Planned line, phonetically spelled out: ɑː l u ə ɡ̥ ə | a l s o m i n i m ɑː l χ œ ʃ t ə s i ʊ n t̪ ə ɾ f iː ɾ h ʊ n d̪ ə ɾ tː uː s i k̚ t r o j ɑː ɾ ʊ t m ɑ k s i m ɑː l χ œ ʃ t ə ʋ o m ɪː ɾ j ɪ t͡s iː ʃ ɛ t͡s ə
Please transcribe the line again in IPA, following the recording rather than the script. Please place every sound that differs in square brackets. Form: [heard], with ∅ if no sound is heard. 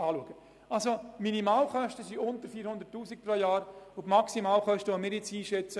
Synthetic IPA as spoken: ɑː l u ə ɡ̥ ə | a l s o m i n i m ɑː l χ œ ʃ t ə s i ʊ n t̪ ə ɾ f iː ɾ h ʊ n d̪ ə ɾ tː uː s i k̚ [p] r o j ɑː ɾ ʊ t m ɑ k s i m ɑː l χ œ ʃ t ə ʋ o m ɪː ɾ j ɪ t͡s iː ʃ ɛ t͡s ə